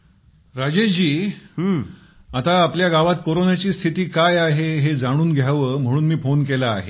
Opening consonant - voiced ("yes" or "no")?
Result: yes